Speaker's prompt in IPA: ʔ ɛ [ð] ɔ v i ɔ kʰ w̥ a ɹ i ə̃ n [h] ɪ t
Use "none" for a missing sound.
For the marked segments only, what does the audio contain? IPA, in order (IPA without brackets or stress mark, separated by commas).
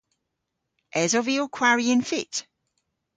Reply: z, f